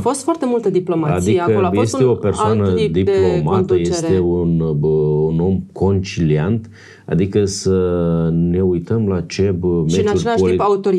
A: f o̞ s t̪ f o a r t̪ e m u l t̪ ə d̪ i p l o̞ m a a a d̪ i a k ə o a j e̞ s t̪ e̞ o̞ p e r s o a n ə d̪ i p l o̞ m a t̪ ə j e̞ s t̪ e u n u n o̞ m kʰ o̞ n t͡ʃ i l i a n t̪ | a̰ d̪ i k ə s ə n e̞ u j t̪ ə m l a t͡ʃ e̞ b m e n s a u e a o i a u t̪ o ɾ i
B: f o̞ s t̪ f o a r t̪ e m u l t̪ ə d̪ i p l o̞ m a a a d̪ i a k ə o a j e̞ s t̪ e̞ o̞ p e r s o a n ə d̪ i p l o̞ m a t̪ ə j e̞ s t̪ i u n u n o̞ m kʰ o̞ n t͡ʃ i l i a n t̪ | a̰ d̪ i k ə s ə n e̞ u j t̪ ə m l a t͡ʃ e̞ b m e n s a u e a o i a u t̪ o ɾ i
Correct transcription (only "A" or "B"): A